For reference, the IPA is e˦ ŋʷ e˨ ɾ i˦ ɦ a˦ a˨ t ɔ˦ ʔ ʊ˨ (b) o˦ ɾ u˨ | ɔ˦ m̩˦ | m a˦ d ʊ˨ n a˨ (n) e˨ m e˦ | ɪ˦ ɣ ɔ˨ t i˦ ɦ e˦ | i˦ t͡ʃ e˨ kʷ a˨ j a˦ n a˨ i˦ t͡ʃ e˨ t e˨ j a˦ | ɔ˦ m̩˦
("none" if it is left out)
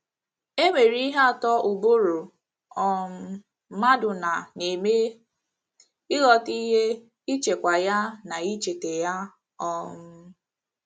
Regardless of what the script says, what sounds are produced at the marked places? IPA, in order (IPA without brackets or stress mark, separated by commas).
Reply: b, n